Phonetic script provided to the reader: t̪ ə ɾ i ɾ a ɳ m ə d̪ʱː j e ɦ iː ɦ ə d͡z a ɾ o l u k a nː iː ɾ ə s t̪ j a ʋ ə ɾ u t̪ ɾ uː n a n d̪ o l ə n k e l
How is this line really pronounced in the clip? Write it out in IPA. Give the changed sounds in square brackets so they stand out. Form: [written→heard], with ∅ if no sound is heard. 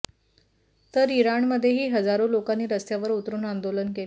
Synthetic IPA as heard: t̪ ə ɾ i ɾ a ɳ m ə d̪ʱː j e ɦ iː ɦ ə d͡z a ɾ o l [u→o] k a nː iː ɾ ə s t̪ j a ʋ ə ɾ u t̪ ɾ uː n a n d̪ o l ə n k e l